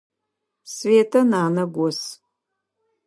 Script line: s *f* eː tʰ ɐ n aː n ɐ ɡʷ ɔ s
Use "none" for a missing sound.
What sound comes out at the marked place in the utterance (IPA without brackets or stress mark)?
v